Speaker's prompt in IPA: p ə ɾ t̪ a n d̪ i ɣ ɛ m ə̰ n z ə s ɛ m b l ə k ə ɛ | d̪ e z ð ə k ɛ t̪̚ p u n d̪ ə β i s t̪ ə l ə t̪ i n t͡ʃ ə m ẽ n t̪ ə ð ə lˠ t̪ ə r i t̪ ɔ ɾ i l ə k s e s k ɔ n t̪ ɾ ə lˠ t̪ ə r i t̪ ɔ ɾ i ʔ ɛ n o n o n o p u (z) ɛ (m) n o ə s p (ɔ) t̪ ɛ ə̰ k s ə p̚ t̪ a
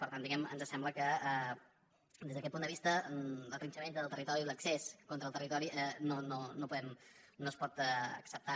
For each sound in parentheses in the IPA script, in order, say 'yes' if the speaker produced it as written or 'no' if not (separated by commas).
no, yes, yes